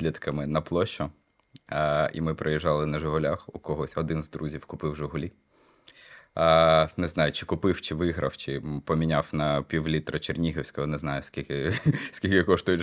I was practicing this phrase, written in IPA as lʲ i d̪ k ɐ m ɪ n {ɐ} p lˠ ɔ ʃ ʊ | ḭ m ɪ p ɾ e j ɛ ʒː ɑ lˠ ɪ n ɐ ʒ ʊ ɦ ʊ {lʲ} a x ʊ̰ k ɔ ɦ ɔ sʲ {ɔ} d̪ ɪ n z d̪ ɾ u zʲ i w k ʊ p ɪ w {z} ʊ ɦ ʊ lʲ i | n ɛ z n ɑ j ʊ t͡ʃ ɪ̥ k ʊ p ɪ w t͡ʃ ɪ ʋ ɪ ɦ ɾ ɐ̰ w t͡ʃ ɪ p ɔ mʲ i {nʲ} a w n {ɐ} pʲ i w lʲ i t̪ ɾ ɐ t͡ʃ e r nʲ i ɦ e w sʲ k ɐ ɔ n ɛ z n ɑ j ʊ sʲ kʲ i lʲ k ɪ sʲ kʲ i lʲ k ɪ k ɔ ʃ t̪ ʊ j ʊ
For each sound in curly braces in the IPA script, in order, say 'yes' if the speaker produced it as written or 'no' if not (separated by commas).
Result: yes, yes, yes, no, yes, yes